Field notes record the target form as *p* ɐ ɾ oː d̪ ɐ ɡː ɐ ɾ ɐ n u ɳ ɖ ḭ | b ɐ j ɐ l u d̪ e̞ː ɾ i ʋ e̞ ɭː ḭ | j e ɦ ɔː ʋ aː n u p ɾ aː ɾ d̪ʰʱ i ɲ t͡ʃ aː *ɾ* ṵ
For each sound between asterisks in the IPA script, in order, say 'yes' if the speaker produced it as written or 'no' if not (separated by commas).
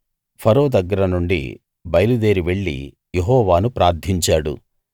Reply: no, no